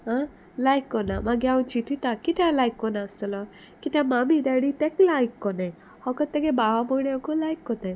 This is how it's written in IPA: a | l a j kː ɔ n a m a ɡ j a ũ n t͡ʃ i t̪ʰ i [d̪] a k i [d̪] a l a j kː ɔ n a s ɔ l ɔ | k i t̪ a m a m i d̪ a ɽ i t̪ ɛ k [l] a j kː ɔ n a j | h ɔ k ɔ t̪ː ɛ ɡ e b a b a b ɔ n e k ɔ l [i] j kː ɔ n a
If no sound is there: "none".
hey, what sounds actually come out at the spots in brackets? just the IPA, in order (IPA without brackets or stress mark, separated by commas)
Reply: t̪, t̪, l, a